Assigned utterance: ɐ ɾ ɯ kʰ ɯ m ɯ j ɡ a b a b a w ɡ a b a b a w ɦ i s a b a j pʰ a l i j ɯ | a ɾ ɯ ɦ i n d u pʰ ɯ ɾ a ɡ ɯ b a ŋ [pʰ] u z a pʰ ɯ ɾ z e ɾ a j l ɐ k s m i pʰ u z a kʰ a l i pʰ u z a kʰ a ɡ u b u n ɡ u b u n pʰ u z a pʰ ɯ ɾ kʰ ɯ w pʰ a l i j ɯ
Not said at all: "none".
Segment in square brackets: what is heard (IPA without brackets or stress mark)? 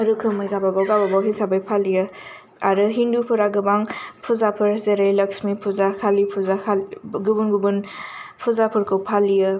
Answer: pʰ